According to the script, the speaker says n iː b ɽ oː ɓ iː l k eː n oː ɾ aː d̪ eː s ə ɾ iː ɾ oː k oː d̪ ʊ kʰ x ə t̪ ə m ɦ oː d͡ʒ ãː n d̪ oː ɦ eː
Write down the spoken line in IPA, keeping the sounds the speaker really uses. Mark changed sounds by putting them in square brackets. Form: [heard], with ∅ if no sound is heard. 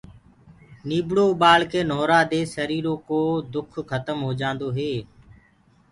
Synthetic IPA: n iː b ɽ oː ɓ [aː] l k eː n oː ɾ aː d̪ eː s ə ɾ iː ɾ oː k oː d̪ ʊ kʰ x ə t̪ ə m ɦ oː d͡ʒ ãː n d̪ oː ɦ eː